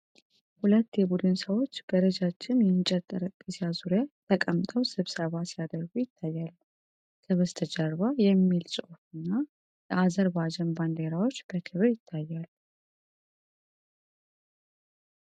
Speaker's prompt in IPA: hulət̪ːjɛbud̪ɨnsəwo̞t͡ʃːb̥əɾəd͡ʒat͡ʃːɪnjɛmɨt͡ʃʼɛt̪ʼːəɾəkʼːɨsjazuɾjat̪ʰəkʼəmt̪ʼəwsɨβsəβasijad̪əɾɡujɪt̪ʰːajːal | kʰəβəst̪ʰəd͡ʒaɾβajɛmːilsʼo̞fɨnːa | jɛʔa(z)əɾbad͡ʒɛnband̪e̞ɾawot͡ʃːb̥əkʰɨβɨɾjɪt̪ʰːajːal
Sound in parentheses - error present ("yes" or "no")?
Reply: no